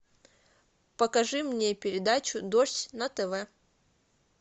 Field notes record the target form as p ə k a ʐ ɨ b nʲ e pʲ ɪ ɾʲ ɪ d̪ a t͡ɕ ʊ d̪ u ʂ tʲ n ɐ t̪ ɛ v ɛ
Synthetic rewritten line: p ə k ɐ ʐ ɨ m nʲ e pʲ ɪ ɾʲ ɪ d̪ a t͡ɕ ʊ d̪ o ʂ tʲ n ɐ t̪ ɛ v ɛ